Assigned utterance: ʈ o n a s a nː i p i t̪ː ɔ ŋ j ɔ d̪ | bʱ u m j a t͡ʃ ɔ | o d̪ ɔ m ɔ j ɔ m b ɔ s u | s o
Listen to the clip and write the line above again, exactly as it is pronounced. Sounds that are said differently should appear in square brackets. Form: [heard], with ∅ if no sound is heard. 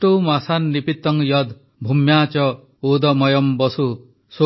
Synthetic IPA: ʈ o [m] a s a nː i p i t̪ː ɔ ŋ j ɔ d̪ | bʱ u m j a t͡ʃ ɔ | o d̪ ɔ m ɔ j ɔ m b ɔ s u | s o